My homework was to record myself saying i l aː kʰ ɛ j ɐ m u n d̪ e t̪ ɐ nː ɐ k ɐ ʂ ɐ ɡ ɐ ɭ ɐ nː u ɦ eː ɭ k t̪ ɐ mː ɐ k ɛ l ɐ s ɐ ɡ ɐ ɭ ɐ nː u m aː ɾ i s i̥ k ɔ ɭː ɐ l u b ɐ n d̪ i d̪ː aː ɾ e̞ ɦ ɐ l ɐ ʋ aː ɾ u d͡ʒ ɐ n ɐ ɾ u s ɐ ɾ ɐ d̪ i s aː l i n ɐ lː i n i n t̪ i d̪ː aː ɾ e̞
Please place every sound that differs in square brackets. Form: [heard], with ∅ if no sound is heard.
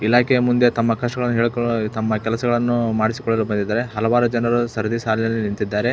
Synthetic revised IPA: i l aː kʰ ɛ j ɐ m u n d̪ e t̪ ɐ [mː] ɐ k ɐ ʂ ɐ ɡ ɐ ɭ ɐ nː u ɦ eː ɭ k t̪ ɐ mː ɐ k ɛ l ɐ s ɐ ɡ ɐ ɭ ɐ nː u m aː [ɽ] i s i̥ k ɔ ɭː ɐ l u b ɐ n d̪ i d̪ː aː ɾ e̞ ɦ ɐ l ɐ ʋ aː ɾ u d͡ʒ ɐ n ɐ ɾ u s ɐ ɾ ɐ d̪ i s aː l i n ɐ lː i n i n t̪ i d̪ː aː ɾ e̞